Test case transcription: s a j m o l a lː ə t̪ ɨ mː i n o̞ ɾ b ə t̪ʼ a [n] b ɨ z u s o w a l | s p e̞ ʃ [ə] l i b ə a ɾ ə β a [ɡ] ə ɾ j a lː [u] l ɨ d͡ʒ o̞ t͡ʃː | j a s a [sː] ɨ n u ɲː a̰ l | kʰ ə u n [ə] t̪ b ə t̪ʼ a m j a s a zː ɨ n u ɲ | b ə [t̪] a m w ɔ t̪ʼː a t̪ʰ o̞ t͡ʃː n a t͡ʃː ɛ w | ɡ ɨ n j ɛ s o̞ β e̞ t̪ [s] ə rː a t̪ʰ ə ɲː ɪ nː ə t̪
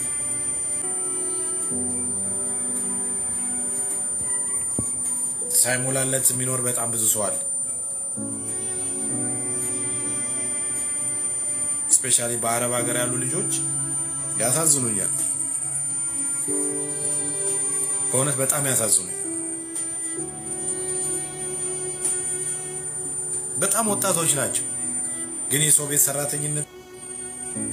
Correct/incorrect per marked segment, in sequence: incorrect, incorrect, correct, correct, incorrect, correct, incorrect, correct

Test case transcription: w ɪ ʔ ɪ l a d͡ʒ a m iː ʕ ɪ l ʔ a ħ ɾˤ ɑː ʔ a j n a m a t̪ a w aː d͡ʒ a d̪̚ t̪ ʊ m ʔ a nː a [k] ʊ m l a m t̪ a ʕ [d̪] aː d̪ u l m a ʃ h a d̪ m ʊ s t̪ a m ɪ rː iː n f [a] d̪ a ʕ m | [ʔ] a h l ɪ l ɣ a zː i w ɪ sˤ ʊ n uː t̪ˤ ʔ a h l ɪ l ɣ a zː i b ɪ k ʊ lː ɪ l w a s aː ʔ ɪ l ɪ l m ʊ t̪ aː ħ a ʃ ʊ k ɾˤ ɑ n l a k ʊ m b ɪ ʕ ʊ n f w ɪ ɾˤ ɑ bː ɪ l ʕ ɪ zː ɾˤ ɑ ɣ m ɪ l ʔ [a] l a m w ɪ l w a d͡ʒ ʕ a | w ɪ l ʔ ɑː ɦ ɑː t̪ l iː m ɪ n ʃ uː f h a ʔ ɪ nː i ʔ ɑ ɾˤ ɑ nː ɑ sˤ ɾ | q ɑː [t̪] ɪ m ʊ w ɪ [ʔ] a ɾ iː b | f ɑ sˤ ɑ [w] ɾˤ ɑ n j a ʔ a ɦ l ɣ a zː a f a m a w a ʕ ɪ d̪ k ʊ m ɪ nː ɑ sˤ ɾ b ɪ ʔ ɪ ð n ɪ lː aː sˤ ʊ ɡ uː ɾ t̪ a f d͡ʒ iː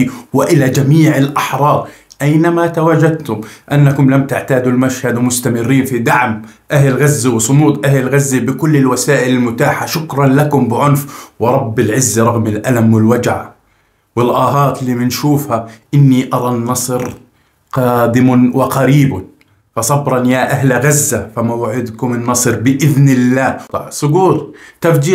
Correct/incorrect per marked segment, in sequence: correct, incorrect, incorrect, correct, correct, incorrect, incorrect, incorrect

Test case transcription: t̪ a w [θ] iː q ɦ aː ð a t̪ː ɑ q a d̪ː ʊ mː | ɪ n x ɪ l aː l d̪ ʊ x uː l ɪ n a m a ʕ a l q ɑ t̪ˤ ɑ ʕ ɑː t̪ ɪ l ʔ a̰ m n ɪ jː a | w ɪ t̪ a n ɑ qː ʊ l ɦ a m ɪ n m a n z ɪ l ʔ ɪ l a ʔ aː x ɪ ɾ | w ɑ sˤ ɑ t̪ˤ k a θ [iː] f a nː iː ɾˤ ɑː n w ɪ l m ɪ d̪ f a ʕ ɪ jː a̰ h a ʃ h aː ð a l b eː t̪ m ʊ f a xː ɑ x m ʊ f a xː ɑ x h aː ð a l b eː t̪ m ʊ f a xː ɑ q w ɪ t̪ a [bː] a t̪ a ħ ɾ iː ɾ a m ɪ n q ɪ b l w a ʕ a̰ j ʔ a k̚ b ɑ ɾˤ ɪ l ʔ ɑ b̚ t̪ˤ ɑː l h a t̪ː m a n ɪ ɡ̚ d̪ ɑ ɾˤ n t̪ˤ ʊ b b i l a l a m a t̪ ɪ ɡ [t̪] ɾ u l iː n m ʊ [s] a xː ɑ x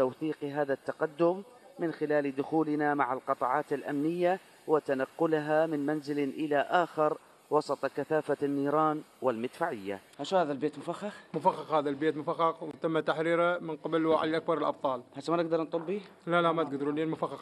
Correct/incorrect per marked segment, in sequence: correct, incorrect, incorrect, incorrect, incorrect

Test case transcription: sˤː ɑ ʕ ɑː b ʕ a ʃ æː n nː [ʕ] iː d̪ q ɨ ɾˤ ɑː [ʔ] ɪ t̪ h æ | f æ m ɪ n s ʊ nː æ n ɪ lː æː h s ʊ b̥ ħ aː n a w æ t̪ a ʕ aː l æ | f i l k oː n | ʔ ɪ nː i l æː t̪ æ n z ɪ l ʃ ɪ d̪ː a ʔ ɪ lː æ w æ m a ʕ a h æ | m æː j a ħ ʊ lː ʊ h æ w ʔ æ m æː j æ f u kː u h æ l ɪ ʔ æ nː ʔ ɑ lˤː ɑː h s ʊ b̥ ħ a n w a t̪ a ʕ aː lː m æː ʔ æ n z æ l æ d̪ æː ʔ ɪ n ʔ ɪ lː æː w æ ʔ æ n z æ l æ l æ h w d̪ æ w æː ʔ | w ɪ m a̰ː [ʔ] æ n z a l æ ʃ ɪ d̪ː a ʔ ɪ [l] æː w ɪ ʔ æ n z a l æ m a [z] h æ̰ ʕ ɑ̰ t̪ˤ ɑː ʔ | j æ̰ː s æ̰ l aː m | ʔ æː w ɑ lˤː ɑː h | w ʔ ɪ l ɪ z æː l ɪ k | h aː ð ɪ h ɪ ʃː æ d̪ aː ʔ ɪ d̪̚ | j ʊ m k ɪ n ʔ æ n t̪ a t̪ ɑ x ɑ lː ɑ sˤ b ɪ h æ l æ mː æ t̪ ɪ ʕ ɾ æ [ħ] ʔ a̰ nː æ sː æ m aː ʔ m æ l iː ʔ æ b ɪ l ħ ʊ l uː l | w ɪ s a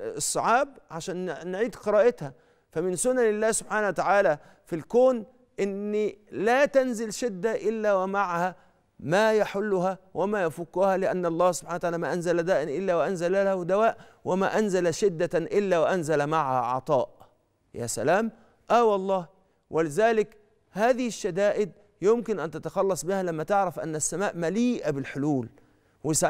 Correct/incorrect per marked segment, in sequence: correct, correct, correct, incorrect, incorrect, incorrect

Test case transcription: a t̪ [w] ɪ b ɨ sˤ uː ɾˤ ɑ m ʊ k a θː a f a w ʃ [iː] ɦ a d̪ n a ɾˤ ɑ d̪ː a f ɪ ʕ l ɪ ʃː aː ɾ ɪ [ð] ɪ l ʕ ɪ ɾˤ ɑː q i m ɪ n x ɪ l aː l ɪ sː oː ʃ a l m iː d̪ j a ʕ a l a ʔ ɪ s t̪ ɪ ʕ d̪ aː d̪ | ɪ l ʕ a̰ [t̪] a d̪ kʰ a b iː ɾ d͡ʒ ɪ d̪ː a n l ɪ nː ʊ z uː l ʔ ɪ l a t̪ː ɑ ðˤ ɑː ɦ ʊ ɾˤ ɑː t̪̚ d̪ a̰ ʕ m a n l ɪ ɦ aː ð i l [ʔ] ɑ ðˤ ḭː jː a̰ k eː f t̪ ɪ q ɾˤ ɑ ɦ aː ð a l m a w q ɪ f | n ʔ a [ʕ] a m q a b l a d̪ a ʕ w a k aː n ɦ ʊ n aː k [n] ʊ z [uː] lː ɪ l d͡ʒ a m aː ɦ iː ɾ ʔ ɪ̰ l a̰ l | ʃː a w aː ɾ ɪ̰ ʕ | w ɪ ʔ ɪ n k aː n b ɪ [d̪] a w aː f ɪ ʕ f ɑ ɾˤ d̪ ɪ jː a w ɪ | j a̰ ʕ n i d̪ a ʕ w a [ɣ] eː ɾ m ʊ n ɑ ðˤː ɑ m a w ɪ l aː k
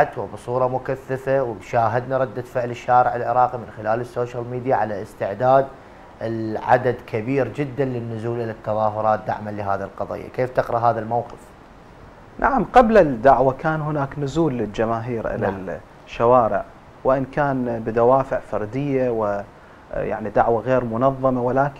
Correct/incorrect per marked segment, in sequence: correct, incorrect, incorrect, incorrect, incorrect, correct, correct, correct, correct, correct

